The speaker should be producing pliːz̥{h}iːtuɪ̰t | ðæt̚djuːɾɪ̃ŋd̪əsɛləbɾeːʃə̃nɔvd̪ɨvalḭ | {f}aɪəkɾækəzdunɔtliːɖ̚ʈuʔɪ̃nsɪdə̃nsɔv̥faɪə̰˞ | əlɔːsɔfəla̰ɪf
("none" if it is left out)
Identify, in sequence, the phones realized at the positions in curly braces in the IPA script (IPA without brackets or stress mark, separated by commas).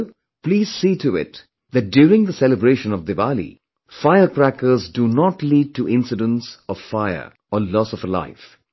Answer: s, f